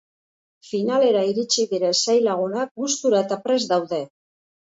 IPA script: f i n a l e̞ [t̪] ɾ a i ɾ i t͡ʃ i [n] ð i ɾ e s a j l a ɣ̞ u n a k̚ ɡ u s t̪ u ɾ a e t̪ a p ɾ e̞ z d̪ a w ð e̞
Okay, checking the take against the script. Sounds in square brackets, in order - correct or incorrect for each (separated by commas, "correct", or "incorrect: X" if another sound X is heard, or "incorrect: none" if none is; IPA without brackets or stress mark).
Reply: incorrect: none, incorrect: none